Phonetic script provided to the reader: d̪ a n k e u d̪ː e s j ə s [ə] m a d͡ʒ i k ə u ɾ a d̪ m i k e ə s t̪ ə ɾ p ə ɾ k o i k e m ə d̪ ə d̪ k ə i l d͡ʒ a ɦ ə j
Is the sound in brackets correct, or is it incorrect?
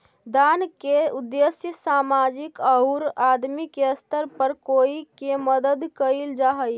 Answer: incorrect